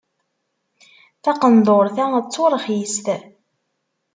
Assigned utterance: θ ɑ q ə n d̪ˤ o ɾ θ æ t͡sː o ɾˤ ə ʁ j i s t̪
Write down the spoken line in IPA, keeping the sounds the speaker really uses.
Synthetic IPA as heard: θ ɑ q ə n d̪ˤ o ɾ θ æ t͡sː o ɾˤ ə χ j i s t̪